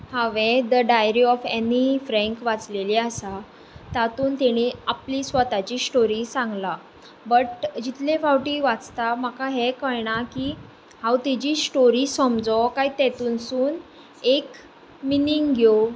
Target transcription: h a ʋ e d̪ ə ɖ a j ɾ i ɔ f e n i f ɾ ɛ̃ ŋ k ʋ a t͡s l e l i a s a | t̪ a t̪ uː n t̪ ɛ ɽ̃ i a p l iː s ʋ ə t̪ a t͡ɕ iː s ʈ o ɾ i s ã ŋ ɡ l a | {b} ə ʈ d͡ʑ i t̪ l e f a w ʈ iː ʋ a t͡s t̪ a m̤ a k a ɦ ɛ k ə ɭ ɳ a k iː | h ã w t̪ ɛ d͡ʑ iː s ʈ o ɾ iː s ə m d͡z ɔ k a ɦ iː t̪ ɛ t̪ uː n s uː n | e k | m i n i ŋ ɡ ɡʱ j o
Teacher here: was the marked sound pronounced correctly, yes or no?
yes